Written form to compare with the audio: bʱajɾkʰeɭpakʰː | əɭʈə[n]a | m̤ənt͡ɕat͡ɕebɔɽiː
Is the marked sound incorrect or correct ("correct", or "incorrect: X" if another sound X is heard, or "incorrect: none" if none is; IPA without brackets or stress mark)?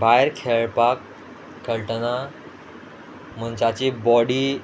correct